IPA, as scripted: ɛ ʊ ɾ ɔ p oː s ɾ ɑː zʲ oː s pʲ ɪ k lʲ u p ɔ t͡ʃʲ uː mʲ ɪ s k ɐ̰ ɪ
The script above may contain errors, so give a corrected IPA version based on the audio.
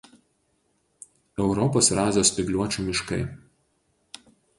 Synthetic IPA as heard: ɛ ʊ ɾ ɔ p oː s ɾ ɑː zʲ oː s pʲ ɪ ɡ lʲ u ɔ t͡ʃʲ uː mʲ ɪ ʃ k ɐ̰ ɪ